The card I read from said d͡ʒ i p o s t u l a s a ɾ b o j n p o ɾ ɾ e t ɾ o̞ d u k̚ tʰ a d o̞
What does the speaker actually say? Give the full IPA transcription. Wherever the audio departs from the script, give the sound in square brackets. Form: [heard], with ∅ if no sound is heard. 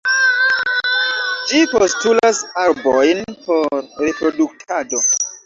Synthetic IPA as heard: d͡ʒ i p o s t u l a s a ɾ b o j n p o ɾ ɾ e [p] ɾ o̞ d u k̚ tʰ a d o̞